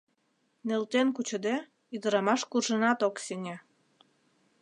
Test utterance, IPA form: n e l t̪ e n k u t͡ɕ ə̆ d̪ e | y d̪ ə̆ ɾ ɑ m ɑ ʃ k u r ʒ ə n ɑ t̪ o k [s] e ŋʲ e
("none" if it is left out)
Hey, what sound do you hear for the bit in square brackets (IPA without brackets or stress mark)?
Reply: s